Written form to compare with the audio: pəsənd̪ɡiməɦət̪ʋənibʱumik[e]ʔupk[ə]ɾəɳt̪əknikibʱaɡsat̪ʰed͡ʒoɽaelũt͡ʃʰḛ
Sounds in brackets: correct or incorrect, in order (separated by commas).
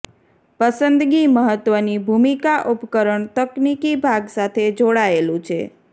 incorrect, correct